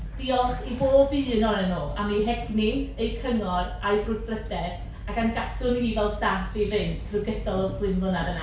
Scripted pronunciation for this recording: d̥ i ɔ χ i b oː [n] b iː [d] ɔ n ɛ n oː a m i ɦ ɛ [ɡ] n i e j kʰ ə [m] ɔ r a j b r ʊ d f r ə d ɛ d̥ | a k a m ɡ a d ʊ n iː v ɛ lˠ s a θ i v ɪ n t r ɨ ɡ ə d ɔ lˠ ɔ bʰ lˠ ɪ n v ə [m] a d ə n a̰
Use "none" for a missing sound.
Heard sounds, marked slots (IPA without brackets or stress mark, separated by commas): none, n, ɡ, ŋ, n